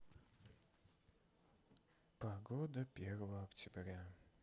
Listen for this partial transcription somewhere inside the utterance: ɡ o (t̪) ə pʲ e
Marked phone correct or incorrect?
incorrect